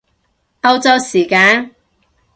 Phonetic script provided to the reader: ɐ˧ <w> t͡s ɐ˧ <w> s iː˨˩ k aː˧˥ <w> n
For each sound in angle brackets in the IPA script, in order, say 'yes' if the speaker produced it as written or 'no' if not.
yes, yes, no

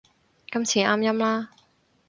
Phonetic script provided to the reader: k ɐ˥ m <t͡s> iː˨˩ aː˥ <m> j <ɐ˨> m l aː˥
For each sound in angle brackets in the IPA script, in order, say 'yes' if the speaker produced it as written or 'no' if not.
no, yes, no

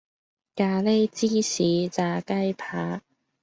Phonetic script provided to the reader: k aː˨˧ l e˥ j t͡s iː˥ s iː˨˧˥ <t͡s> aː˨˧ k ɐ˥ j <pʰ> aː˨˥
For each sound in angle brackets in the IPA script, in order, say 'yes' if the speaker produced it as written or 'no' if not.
yes, yes

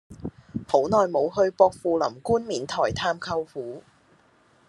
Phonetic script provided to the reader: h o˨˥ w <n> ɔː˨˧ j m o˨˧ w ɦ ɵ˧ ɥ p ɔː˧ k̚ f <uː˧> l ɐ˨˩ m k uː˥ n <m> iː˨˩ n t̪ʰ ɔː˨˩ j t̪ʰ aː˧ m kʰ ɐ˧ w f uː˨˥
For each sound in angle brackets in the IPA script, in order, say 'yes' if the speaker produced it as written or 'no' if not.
yes, yes, yes

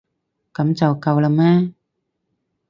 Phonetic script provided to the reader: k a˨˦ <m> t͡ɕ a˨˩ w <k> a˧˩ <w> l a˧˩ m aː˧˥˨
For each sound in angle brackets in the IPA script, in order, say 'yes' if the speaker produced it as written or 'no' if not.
yes, yes, yes

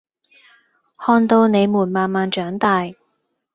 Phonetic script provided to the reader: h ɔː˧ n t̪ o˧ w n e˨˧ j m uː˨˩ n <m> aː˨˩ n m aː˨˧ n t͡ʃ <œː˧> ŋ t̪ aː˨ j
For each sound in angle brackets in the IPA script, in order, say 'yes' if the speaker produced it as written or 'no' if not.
yes, no

